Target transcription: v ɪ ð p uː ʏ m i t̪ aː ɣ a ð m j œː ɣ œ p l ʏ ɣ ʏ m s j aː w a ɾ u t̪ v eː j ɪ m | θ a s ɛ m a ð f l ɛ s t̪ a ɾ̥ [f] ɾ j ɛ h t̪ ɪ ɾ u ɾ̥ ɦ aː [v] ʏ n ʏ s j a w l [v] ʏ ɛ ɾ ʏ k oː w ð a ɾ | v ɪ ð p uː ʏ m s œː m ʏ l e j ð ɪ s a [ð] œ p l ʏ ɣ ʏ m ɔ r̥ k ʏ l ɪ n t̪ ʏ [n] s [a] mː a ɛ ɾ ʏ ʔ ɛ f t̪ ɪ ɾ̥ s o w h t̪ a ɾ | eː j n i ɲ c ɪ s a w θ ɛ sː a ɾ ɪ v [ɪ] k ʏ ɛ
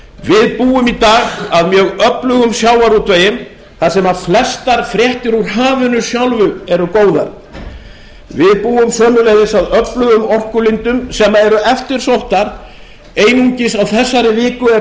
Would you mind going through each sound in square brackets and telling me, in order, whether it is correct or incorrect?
correct, correct, correct, correct, incorrect, incorrect, incorrect

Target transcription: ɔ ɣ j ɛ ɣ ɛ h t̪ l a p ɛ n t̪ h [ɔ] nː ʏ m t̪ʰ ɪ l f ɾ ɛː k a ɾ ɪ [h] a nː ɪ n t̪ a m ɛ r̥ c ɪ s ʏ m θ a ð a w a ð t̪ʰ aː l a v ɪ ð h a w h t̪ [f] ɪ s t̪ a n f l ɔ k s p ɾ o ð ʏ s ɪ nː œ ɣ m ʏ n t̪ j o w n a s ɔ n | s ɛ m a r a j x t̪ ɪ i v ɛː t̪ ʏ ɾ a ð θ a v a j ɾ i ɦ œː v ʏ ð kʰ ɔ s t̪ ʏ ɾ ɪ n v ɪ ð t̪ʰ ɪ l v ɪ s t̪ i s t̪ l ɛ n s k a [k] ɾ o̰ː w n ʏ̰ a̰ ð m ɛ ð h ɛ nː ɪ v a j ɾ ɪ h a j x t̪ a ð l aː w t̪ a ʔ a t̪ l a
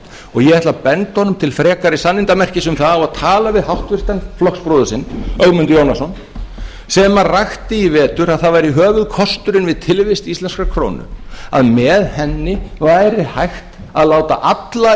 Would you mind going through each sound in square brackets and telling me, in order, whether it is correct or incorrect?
correct, incorrect, incorrect, incorrect

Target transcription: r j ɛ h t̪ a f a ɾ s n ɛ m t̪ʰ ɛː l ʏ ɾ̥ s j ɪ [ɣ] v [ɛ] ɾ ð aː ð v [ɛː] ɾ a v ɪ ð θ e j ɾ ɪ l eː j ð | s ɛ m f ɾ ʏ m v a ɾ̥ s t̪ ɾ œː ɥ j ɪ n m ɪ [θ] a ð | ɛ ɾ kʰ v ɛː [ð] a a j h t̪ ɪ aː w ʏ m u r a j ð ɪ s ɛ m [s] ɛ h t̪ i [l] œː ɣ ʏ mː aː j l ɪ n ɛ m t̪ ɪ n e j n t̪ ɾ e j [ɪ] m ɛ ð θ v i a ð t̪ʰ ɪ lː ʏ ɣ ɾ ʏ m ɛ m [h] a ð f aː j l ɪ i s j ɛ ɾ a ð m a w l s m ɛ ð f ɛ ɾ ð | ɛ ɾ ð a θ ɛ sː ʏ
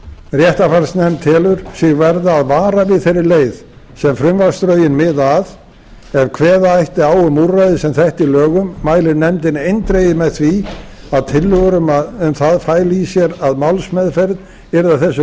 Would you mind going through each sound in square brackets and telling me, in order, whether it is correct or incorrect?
correct, correct, incorrect, incorrect, correct, incorrect, correct, correct, incorrect

